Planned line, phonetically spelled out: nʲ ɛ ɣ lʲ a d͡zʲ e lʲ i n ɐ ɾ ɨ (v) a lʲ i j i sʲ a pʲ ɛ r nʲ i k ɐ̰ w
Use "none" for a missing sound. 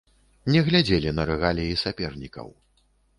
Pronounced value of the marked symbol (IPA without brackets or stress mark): ɣ